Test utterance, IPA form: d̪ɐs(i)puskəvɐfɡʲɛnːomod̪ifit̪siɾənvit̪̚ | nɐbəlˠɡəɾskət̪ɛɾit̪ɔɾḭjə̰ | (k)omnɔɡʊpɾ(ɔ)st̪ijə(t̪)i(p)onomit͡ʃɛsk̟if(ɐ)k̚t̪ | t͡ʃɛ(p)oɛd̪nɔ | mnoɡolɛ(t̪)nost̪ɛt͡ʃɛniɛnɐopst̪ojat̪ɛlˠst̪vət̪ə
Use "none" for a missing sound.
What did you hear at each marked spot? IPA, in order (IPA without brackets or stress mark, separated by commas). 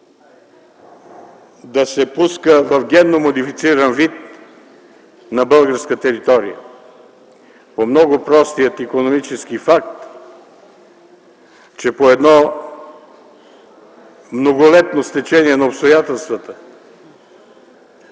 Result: ɛ, p, ɔ, t̪, k, a, p, t̪